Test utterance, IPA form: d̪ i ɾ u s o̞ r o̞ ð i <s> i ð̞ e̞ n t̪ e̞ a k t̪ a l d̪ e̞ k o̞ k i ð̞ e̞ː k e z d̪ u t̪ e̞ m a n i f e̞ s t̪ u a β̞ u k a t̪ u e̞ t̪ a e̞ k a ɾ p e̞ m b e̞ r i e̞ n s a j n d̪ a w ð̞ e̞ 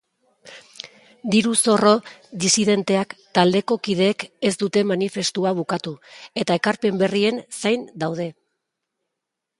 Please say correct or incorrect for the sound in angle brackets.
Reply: correct